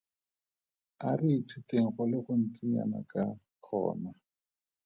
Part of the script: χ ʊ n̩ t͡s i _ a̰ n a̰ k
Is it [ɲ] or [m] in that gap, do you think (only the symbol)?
ɲ